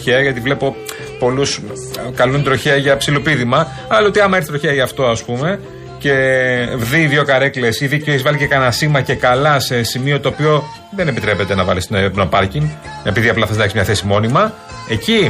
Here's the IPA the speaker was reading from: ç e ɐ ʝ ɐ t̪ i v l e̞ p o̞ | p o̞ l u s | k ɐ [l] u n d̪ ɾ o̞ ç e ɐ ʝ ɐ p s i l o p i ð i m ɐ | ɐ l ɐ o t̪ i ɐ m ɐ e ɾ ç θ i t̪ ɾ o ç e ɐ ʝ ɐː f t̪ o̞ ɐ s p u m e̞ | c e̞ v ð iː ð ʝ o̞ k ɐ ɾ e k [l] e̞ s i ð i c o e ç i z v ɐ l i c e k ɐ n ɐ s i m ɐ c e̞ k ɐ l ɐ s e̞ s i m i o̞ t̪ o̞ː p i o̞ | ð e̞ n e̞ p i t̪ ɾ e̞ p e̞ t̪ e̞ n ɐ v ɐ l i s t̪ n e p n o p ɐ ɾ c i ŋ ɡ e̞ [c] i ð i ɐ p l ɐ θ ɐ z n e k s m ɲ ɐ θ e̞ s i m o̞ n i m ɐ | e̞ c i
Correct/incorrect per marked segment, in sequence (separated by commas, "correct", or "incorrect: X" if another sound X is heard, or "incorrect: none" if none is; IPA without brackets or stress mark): correct, correct, incorrect: p